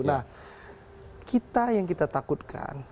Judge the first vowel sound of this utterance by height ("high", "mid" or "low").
low